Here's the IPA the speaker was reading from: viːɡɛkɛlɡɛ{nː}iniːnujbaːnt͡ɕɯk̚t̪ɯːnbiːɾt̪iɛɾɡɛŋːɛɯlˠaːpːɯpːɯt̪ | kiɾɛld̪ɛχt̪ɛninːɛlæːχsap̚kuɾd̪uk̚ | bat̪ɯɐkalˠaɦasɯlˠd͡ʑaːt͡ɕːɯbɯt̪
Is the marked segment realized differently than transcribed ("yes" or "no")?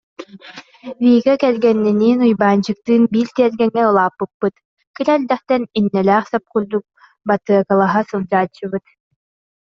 no